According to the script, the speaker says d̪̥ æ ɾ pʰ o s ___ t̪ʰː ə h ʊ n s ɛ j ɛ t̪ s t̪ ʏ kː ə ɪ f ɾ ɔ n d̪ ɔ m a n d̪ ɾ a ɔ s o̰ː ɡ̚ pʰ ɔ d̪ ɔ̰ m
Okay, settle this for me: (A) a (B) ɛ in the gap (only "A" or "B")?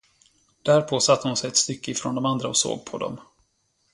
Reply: A